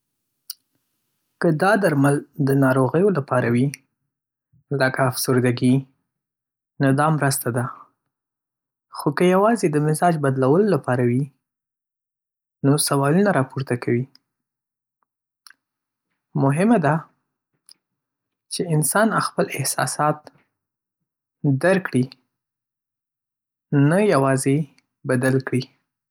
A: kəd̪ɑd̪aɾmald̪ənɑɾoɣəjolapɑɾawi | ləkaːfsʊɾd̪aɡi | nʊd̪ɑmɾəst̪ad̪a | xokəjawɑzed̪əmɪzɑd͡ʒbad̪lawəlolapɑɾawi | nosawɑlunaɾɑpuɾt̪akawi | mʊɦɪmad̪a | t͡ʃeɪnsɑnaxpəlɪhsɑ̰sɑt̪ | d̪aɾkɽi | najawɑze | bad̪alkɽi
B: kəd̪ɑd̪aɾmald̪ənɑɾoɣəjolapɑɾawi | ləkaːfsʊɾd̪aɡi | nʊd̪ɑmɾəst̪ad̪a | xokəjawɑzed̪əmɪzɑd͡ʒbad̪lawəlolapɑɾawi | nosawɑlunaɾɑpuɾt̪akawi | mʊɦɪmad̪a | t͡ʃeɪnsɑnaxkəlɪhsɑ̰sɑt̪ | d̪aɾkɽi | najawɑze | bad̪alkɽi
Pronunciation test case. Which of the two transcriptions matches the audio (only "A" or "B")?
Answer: A